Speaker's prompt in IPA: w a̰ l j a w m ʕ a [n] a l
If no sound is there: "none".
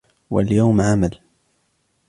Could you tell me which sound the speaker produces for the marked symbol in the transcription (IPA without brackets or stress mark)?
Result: m